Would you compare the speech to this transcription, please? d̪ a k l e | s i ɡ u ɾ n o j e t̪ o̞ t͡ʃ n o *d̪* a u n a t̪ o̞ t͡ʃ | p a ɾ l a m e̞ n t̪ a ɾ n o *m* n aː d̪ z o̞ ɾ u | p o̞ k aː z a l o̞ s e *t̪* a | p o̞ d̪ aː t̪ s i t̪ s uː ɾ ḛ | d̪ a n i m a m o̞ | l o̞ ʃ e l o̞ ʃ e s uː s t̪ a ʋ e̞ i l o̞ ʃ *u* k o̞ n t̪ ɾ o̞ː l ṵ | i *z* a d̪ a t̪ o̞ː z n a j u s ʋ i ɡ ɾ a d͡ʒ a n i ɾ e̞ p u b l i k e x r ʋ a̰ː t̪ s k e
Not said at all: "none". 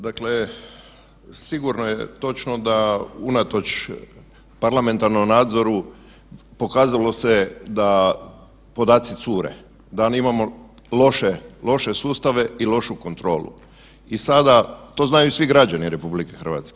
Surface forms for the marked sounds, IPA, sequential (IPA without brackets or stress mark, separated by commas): d̪, m, d̪, u, s